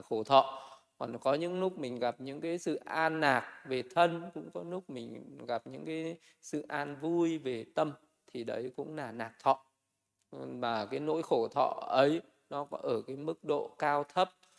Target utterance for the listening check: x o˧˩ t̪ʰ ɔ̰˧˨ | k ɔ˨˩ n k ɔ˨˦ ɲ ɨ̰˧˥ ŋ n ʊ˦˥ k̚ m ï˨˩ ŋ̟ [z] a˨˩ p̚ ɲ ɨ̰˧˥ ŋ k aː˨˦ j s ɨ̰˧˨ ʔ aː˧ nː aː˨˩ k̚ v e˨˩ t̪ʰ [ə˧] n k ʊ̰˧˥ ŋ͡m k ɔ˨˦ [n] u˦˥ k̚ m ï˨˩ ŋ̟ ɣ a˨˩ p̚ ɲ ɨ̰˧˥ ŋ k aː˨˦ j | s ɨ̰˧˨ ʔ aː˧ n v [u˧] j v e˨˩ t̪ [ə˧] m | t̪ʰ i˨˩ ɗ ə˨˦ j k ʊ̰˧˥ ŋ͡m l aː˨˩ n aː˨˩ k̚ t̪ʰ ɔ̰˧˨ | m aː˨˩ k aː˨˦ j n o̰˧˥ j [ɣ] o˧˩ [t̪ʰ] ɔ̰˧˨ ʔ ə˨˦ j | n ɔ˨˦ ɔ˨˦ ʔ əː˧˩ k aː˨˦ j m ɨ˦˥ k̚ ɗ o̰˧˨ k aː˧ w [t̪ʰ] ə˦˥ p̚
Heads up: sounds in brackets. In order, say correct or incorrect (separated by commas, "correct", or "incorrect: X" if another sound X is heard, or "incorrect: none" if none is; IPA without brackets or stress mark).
incorrect: ɣ, correct, correct, correct, correct, incorrect: x, correct, correct